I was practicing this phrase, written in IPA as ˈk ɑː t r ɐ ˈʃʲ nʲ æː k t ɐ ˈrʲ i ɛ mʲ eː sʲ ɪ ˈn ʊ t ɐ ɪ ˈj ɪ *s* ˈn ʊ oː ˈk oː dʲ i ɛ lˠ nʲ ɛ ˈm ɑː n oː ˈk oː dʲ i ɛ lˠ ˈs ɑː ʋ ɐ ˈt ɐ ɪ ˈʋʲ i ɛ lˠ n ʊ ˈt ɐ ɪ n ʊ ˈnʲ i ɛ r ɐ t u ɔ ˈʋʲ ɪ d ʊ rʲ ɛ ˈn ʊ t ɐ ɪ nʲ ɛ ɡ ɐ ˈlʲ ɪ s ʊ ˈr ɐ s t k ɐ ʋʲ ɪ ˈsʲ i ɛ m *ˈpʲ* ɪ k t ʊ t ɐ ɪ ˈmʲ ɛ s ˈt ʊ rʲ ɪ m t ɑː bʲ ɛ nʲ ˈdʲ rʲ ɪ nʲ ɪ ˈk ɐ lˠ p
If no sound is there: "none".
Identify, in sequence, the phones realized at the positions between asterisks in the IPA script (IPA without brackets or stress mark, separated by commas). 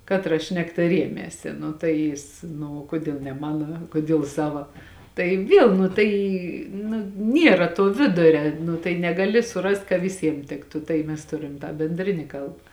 s, tʲ